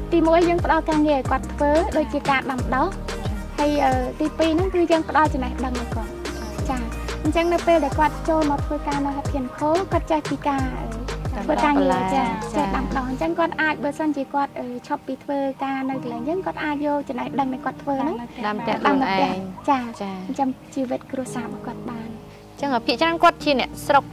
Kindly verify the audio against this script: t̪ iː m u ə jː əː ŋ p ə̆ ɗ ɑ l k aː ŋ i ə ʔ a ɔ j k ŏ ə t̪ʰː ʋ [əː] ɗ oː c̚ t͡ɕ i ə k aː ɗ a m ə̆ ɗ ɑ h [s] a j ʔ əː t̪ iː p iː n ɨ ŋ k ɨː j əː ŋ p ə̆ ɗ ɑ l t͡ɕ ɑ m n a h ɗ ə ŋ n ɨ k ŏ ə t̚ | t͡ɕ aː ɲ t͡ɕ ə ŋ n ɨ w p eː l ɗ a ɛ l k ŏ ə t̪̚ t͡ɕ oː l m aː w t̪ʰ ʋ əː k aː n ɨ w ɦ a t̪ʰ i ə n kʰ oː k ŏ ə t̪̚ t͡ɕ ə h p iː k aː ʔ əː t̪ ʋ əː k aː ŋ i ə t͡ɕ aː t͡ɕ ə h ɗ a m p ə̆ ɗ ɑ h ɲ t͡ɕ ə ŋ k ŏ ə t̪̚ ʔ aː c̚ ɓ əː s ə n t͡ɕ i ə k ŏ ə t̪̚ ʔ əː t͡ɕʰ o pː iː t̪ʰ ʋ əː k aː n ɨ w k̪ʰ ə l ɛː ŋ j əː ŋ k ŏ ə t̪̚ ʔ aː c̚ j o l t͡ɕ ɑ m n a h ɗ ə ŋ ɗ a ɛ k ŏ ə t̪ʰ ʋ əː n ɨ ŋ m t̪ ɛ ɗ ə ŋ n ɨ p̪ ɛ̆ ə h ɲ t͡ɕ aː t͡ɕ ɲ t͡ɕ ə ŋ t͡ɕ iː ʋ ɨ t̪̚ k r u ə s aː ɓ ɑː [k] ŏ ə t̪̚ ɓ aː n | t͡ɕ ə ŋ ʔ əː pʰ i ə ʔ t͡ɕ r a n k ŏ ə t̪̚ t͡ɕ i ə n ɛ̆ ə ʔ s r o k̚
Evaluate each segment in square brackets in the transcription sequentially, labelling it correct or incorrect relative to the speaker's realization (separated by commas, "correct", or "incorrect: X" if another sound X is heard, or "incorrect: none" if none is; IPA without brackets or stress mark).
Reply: correct, incorrect: h, correct